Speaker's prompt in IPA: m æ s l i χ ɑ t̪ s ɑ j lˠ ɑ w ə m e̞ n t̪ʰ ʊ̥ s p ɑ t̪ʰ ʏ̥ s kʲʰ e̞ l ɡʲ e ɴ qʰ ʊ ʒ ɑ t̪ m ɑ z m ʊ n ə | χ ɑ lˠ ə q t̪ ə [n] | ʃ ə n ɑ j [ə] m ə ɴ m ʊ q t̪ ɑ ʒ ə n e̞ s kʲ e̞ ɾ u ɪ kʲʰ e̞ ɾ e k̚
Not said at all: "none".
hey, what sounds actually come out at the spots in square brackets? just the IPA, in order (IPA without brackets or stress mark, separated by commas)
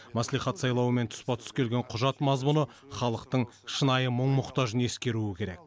ɴ, ə